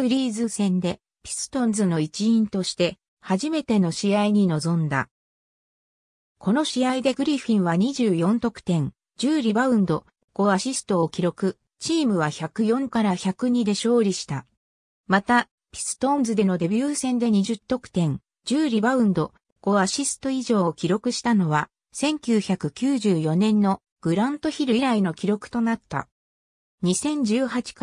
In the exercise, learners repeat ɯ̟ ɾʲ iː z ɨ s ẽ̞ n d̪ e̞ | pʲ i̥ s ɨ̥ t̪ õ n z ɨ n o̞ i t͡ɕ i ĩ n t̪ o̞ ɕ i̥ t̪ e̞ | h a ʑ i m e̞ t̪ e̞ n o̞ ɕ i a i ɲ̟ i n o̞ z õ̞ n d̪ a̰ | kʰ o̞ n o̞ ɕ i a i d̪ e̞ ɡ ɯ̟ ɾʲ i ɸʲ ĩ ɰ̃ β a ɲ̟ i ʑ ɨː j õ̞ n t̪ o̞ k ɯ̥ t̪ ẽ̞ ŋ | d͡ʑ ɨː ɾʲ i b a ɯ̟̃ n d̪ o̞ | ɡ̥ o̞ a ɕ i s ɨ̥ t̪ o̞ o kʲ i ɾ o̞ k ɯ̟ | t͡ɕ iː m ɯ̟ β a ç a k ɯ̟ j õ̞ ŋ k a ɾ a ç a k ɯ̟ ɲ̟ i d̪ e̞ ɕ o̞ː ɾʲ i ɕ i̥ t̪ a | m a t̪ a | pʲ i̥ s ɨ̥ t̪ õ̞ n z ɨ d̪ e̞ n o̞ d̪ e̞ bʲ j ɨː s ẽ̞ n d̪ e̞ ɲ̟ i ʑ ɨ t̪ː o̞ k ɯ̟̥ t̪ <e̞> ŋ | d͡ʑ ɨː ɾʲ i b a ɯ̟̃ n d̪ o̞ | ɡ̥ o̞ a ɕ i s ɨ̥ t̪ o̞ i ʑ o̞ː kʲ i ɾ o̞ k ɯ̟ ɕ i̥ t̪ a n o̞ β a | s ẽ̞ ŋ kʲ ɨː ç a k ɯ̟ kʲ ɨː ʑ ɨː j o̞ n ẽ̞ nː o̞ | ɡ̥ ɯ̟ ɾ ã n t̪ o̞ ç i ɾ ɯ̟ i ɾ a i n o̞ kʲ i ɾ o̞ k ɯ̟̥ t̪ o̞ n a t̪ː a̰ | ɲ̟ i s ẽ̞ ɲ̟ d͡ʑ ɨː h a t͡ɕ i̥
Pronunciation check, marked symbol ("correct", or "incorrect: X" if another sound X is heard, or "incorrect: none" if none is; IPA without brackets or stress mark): incorrect: ẽ̞